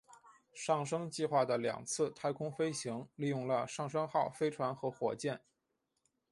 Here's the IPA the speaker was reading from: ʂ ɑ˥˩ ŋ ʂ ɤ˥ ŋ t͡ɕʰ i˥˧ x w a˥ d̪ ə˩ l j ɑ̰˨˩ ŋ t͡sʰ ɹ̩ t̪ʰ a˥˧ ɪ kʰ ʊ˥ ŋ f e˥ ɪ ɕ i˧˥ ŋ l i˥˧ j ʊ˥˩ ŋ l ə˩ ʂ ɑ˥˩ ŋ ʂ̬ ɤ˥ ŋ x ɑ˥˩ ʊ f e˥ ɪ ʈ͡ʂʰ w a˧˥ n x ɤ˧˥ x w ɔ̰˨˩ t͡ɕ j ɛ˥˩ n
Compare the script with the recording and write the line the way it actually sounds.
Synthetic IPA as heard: ʂ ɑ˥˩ ŋ ʂ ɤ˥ ŋ t͡ɕ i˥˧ x w a˥˩ d̪ ə˩ l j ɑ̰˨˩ ŋ t͡sʰ ɹ̩ t̪ʰ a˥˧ ɪ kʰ ʊ˥ ŋ f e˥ ɪ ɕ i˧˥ ŋ l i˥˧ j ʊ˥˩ ŋ l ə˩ ʂ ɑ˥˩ ŋ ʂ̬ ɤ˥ ŋ x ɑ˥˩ ʊ f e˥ ɪ ʈ͡ʂʰ w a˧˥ n x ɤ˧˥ x w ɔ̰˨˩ t͡ɕ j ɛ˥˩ n